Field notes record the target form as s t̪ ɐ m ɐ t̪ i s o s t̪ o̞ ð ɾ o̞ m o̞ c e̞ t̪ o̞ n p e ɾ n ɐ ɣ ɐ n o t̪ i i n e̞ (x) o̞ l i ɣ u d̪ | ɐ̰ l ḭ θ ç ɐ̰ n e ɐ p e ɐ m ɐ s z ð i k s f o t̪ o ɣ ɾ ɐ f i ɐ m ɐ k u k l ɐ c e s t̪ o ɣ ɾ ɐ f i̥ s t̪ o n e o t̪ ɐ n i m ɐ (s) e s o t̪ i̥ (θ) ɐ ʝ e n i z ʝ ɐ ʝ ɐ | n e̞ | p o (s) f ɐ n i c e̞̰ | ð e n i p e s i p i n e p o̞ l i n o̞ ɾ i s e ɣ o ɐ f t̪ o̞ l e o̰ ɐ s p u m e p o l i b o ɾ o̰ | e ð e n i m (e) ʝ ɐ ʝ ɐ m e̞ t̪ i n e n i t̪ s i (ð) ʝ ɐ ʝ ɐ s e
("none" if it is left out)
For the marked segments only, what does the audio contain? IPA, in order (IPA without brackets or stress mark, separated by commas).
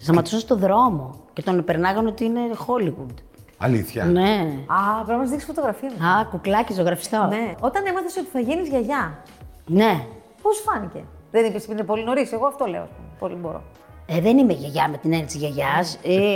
x, θ, θ, s, e, z